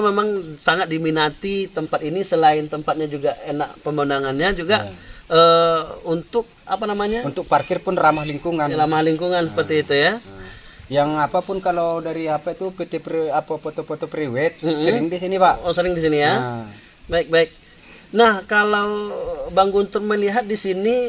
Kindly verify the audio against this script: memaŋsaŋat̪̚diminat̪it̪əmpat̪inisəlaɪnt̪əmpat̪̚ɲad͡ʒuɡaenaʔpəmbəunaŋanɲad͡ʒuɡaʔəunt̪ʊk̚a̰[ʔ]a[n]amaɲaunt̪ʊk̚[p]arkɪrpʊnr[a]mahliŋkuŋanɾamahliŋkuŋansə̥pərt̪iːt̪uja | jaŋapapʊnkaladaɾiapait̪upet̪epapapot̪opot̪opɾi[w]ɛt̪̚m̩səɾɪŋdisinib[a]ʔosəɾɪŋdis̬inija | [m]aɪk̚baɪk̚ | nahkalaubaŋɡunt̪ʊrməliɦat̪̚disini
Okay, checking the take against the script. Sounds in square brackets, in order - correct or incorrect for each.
incorrect: p, correct, correct, correct, correct, correct, incorrect: b

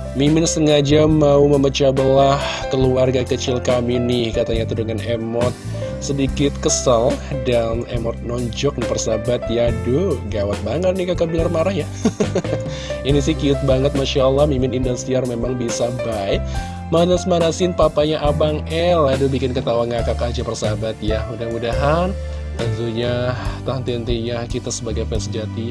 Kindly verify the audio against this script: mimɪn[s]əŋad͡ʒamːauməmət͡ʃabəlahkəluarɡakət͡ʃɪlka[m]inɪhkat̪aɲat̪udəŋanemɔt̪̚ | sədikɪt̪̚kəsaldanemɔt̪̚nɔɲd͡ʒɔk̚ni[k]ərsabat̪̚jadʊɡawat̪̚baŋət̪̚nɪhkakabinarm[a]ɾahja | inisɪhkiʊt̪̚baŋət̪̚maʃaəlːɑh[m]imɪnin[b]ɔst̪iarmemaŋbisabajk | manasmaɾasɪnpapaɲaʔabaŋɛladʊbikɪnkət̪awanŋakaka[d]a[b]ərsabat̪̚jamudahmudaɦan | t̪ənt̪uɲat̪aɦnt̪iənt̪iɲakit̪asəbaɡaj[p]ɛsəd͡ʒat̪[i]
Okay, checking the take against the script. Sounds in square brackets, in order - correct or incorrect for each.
correct, correct, incorrect: p, correct, correct, incorrect: d, incorrect: d͡ʒ, incorrect: p, correct, correct

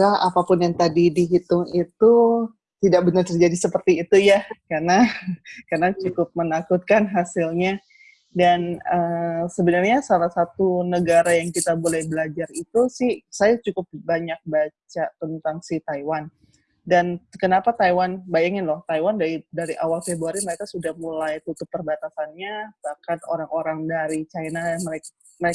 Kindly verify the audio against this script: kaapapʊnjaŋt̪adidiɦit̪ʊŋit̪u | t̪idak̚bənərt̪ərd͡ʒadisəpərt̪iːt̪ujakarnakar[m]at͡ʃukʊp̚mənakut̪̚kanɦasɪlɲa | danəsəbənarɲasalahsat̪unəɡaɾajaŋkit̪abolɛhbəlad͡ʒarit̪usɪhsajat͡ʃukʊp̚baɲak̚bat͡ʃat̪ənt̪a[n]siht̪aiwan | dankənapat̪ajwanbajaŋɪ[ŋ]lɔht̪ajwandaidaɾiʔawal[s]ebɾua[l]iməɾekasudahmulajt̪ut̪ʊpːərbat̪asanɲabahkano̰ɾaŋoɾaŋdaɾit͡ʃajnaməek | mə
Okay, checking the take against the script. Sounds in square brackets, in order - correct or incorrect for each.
incorrect: n, incorrect: ŋ, incorrect: n, incorrect: f, incorrect: ɾ

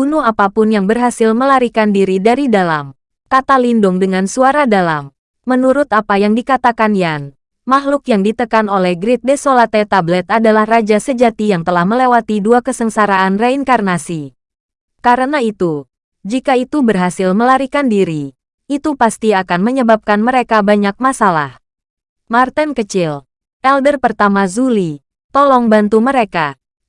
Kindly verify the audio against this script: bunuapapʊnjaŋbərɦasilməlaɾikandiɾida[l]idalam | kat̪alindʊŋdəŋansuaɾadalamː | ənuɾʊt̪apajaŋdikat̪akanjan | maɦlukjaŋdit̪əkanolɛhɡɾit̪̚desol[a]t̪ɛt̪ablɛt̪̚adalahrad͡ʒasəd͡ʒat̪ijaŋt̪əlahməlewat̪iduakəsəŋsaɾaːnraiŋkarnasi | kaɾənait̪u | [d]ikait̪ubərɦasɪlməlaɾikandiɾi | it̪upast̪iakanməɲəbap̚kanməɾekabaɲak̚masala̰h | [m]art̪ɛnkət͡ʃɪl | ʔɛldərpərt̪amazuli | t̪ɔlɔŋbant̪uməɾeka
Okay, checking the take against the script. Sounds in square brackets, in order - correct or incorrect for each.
incorrect: ɾ, correct, incorrect: d͡ʒ, correct

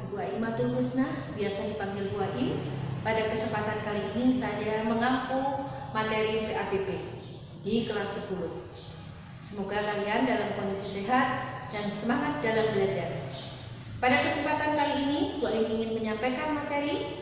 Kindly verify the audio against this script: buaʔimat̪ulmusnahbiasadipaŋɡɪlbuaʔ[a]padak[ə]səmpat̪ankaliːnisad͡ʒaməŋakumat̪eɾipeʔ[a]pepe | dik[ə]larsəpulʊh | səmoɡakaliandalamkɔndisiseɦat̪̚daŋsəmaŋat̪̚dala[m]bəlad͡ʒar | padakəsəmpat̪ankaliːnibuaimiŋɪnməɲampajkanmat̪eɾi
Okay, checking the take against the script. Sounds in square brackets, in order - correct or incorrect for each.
incorrect: i, correct, correct, correct, correct

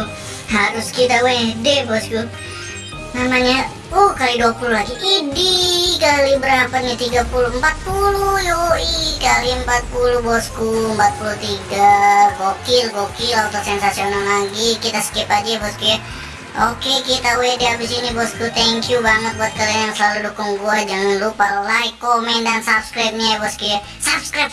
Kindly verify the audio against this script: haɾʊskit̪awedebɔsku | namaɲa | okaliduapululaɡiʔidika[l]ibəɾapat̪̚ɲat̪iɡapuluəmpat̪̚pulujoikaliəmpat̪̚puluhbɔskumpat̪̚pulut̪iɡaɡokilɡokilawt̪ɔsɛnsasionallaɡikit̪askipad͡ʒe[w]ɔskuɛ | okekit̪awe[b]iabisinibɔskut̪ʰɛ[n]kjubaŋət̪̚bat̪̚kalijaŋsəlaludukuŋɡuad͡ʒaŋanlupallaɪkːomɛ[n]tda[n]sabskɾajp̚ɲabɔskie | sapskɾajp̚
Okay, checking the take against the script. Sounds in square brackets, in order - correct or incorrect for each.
correct, incorrect: b, incorrect: d, incorrect: ŋ, correct, correct

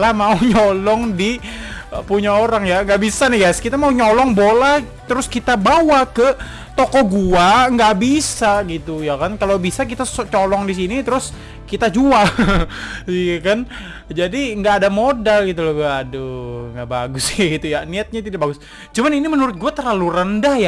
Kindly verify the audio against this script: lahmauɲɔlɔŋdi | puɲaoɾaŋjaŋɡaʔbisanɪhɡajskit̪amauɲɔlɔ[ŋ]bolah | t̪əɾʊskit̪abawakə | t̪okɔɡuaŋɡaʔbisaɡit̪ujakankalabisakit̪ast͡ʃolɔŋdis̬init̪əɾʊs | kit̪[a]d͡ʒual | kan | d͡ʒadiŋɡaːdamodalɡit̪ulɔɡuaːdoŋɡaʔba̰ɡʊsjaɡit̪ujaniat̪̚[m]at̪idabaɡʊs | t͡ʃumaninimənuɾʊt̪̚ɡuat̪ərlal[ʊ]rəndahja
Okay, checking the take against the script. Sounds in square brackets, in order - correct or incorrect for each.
correct, correct, incorrect: ɲ, incorrect: u

